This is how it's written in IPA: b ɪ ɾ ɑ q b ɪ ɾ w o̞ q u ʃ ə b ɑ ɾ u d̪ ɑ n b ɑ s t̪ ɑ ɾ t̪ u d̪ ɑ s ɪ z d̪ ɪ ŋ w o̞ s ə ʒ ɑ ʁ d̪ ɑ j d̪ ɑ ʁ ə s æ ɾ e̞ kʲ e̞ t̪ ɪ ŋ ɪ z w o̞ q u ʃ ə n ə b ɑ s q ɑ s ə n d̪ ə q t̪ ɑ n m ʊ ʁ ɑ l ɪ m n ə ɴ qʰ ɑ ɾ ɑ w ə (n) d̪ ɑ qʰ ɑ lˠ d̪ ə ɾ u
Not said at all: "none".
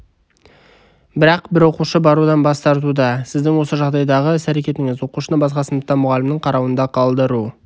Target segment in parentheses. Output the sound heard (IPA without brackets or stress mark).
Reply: n